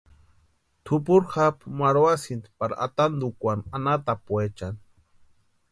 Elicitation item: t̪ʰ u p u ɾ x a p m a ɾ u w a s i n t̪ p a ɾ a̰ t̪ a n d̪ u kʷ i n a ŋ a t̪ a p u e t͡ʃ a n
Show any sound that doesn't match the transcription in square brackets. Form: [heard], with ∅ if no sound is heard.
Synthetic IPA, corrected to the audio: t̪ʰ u p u ɾ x a p m a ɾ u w a s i n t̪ p a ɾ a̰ t̪ a n d̪ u kʷ [a] n a [n] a t̪ a p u e t͡ʃ a n